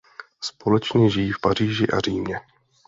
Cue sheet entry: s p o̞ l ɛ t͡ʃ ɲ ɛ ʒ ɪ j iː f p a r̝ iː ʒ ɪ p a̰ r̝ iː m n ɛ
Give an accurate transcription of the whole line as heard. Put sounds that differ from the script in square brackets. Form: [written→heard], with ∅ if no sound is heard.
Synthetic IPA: s p o̞ l ɛ t͡ʃ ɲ ɛ ʒ ɪ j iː f p a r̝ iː ʒ ɪ [p→ʔ] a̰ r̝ iː m [n→ɲ] ɛ